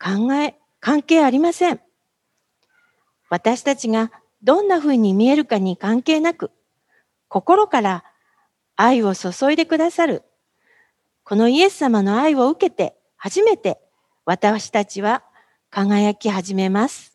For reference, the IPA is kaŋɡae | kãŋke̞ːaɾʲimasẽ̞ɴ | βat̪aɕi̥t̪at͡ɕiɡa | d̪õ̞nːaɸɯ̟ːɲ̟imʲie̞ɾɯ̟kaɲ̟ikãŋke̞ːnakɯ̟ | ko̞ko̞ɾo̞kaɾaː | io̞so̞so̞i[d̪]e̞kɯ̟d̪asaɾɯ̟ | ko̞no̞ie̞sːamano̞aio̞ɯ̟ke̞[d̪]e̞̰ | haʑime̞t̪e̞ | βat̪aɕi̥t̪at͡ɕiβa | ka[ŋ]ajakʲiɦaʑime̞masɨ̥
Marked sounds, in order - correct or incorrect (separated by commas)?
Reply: correct, incorrect, correct